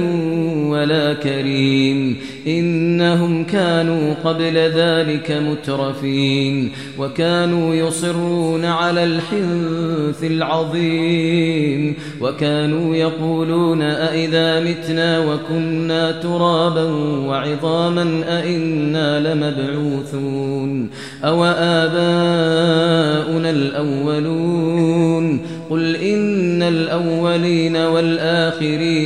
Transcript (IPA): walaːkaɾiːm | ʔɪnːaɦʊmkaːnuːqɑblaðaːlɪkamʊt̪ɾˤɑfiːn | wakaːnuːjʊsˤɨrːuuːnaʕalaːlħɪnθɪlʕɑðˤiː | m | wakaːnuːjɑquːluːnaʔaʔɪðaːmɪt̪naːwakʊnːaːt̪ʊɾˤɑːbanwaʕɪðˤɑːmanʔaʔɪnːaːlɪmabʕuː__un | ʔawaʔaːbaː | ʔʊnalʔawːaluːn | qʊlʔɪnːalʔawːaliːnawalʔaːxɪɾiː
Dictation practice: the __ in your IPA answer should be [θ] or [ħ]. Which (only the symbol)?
θ